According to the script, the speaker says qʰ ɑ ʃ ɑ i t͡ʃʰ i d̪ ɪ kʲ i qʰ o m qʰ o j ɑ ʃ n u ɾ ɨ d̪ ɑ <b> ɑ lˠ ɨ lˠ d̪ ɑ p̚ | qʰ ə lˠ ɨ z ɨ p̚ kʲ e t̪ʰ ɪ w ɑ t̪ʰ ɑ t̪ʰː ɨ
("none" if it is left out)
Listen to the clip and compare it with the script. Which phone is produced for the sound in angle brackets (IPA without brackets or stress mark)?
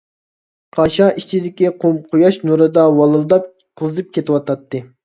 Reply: w